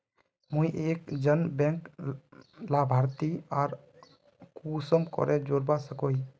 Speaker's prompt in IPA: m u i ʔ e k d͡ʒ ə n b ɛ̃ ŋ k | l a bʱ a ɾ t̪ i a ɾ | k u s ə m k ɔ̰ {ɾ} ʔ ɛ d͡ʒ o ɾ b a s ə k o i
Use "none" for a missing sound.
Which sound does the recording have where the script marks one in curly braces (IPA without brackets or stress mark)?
ɾ